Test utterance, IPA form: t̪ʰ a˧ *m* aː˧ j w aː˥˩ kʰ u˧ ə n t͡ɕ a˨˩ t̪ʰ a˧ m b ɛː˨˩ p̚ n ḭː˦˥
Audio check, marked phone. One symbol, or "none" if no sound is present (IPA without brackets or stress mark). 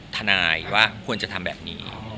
n